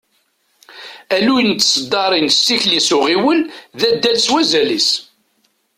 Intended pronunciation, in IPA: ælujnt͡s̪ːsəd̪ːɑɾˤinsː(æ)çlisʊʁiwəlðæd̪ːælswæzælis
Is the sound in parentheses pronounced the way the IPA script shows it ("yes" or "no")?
no